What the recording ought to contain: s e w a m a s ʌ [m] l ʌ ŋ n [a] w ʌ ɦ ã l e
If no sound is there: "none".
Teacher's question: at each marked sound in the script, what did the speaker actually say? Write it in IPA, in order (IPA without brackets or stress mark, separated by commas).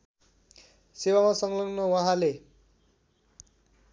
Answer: ŋ, ʌ